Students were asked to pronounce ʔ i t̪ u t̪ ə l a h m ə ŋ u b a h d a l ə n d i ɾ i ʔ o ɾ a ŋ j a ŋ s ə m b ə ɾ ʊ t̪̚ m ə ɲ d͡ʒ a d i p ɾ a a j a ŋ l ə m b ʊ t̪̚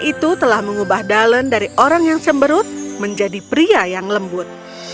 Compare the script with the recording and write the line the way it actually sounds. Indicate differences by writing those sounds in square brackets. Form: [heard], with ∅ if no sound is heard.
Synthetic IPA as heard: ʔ i t̪ u t̪ ə l a h m ə ŋ u b a h d a l ə n d [a] ɾ i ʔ o ɾ a ŋ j a ŋ s ə m b ə ɾ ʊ t̪̚ m ə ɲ d͡ʒ a d i p ɾ [i] a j a ŋ l ə m b ʊ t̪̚